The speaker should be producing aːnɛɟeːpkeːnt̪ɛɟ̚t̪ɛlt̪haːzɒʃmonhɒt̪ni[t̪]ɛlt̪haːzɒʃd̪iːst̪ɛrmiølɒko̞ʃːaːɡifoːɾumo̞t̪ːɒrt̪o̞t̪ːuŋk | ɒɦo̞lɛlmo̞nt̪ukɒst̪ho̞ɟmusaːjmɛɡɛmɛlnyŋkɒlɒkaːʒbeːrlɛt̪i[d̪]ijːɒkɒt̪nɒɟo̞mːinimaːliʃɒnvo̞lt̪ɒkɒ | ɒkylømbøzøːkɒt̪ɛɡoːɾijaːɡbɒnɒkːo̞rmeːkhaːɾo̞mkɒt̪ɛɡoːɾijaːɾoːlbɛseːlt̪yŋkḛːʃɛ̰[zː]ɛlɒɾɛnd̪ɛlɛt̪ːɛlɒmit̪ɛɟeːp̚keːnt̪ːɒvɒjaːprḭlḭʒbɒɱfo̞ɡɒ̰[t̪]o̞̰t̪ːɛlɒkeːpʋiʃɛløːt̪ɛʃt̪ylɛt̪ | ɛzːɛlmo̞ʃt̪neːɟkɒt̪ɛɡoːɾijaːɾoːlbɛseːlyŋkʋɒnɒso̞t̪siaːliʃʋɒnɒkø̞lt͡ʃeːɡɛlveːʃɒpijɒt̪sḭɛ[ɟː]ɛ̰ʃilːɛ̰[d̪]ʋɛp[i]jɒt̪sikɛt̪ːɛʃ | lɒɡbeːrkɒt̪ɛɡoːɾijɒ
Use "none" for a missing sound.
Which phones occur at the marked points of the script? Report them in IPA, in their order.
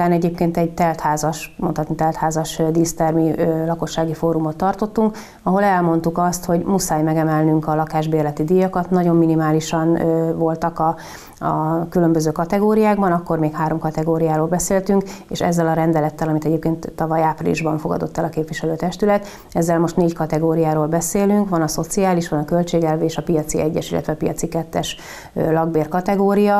t̪, d̪, zː, d̪, ɟː, t̪, i

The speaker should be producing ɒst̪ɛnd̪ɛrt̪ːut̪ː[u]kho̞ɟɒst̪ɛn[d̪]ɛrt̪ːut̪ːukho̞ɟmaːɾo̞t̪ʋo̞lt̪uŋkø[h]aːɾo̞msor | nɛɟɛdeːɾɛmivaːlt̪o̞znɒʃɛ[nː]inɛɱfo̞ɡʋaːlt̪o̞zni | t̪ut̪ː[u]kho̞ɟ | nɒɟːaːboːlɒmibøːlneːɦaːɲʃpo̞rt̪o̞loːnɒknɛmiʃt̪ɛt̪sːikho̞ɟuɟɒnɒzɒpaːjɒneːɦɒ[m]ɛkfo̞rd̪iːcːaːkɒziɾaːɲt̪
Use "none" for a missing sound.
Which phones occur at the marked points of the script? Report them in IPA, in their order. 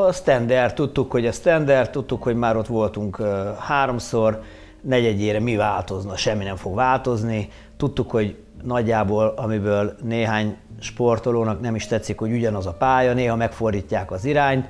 u, d̪, h, mː, u, m

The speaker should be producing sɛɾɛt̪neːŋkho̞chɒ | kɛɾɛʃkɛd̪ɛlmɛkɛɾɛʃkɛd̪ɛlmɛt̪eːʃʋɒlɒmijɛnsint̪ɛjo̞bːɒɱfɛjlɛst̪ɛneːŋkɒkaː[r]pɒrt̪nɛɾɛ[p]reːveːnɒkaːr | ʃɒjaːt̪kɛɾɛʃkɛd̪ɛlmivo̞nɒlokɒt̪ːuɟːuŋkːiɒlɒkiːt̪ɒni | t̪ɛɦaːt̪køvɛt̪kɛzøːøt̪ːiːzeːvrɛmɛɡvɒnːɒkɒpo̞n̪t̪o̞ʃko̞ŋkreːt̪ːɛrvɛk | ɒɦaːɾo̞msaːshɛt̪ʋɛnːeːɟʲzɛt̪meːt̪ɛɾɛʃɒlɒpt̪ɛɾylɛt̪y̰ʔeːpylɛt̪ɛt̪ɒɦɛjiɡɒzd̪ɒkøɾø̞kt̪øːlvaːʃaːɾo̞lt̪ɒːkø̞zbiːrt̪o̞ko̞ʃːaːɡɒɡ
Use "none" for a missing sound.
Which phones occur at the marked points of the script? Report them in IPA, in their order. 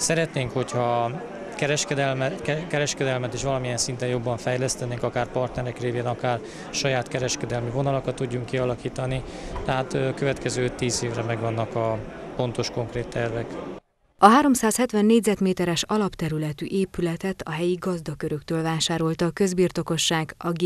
r, k

